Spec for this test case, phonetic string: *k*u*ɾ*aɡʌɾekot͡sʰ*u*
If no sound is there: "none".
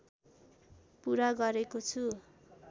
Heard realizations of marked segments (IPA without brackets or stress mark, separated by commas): p, ɾ, u